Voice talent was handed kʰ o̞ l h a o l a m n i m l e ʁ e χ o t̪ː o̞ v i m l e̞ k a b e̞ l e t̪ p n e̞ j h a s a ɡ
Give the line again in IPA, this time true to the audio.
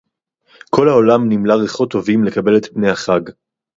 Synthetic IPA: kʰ o̞ l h a o l a m n i m l a ʁ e χ o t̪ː o̞ v i m l e̞ k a b e̞ l e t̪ p n e̞ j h a χ a ɡ